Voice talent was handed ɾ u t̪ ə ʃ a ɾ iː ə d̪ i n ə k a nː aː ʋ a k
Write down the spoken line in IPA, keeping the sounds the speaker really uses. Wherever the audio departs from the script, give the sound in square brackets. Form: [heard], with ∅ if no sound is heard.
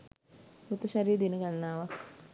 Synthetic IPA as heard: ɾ u t̪ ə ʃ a ɾ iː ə d̪ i n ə [ɡ] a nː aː ʋ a k